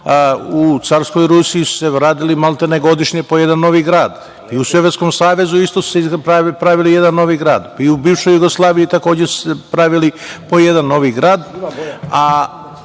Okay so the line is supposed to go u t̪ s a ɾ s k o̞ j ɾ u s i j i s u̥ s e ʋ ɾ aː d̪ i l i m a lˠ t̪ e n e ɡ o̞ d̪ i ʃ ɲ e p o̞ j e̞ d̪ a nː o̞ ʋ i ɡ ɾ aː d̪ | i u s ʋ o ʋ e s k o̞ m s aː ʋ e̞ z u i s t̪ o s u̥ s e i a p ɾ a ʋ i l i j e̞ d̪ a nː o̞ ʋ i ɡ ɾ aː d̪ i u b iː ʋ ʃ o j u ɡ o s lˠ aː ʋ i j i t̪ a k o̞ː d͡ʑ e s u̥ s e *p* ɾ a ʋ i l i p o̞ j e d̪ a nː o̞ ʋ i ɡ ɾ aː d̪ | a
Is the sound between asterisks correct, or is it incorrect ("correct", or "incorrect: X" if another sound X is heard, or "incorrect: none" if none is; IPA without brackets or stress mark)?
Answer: correct